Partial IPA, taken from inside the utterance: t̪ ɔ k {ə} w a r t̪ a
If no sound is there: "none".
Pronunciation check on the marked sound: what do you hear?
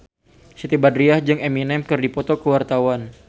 ə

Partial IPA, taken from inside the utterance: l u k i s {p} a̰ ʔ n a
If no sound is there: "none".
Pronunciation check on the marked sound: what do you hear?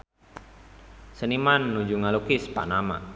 p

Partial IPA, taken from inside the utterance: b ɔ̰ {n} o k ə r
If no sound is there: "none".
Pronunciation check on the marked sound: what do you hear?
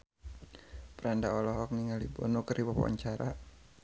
n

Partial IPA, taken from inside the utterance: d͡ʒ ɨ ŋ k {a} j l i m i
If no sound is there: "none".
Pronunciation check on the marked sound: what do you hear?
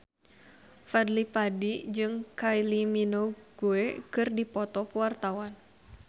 a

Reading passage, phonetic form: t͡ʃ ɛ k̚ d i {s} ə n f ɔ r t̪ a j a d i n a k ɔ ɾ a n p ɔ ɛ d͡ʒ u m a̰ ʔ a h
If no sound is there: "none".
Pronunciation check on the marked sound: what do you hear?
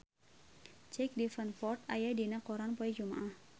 f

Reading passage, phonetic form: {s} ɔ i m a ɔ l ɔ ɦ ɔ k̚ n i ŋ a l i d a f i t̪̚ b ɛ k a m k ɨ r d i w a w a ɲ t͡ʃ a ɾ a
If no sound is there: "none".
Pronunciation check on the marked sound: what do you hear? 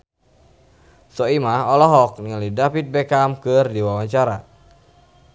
s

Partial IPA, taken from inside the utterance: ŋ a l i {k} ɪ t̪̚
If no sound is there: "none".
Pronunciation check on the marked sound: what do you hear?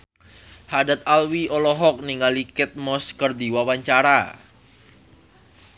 k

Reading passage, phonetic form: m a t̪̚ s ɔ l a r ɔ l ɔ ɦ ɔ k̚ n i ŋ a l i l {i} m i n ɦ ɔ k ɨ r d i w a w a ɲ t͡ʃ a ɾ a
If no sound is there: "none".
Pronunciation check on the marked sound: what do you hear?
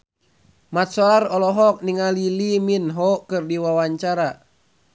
i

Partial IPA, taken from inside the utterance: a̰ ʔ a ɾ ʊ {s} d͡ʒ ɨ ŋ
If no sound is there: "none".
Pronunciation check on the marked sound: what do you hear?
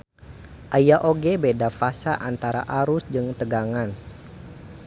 s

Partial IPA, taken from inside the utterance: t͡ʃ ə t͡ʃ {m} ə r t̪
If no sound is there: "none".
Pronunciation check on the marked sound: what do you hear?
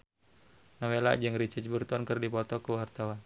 b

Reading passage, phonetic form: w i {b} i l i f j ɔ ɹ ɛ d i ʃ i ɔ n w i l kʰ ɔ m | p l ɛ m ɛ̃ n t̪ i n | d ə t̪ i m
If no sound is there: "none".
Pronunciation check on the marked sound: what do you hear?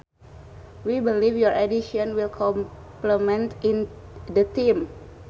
b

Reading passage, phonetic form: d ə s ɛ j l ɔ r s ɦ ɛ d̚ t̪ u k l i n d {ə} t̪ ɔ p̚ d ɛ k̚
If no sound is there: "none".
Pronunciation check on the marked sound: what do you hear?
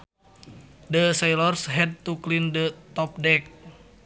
ə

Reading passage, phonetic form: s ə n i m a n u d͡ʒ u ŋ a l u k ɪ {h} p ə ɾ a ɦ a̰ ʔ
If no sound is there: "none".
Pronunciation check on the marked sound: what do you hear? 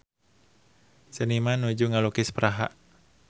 s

